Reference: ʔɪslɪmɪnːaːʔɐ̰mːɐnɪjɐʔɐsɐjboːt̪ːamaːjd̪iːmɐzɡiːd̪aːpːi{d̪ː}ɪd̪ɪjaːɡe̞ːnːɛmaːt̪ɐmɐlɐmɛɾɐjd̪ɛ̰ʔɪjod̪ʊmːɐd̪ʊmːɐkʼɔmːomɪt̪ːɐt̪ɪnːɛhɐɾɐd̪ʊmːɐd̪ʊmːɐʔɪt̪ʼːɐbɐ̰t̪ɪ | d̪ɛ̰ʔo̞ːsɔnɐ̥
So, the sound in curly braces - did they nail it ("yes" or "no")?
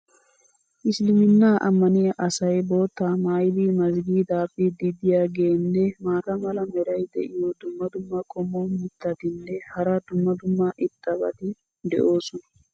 no